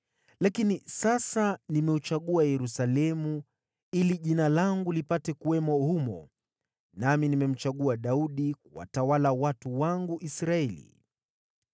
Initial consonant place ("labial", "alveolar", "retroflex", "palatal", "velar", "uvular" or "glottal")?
alveolar